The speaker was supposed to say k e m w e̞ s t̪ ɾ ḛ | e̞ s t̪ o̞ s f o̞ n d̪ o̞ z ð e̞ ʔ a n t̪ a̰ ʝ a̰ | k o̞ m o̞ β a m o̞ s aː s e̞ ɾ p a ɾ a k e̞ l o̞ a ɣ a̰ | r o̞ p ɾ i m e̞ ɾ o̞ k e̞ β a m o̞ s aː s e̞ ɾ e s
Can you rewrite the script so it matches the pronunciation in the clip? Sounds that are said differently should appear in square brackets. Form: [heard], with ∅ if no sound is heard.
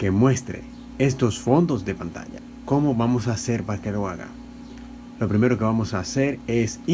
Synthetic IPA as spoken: k e m w e̞ s t̪ ɾ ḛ | e̞ s t̪ o̞ s f o̞ n d̪ o̞ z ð e̞ [p] a n t̪ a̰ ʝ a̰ | k o̞ m o̞ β a m o̞ s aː s e̞ ɾ p a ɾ a k e̞ l o̞ a ɣ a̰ | [l] o̞ p ɾ i m e̞ ɾ o̞ k e̞ β a m o̞ s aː s e̞ ɾ e s